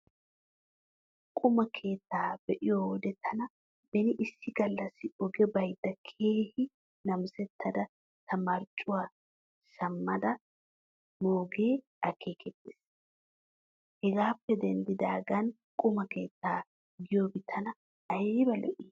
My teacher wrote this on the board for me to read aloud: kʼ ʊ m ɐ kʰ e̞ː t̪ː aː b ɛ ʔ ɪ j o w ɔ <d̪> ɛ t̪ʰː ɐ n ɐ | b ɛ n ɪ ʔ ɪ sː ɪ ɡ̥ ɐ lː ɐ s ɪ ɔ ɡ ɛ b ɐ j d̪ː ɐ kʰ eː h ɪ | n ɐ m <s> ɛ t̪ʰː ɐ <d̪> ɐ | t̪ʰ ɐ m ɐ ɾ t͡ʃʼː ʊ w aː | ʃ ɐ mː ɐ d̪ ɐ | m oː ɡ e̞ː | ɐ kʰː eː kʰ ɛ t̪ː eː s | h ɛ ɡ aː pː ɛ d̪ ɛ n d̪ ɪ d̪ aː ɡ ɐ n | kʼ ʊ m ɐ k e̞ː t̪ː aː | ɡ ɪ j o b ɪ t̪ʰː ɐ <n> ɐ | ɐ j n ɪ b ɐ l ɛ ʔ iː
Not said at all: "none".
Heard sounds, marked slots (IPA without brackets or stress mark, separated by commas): d̪, s, d̪, n